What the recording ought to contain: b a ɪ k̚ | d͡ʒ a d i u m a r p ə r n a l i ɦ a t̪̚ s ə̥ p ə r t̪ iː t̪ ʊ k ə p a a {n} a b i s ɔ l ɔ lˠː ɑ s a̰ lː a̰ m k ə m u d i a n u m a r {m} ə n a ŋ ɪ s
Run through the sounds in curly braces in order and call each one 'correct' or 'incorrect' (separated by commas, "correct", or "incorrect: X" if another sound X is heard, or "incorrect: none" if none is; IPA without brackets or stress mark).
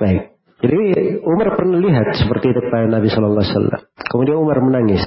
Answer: correct, correct